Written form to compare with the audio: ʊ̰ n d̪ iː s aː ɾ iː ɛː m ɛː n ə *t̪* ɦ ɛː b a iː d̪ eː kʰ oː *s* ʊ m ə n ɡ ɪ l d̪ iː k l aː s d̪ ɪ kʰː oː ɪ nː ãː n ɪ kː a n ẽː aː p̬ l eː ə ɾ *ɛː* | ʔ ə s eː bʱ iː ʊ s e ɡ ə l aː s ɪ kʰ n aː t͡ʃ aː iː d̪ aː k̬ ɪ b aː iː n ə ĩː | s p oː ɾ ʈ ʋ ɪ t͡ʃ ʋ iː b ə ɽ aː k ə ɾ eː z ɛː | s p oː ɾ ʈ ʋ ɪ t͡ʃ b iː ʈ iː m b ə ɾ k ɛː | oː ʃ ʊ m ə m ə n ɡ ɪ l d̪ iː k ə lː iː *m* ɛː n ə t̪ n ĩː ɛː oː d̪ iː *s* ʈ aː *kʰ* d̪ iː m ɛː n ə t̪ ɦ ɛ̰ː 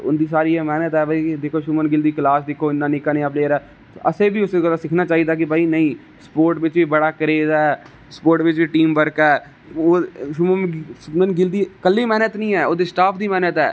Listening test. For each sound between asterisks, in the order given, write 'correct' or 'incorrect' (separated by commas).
correct, incorrect, correct, correct, correct, incorrect